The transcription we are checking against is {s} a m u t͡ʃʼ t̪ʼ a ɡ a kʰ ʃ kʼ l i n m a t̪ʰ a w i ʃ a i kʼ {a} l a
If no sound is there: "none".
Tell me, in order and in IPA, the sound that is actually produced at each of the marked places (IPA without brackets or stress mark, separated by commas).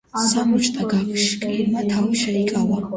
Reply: s, a